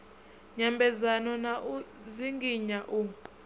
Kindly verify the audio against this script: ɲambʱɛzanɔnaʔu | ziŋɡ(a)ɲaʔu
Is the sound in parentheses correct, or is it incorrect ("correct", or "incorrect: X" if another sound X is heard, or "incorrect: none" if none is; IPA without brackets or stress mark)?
incorrect: i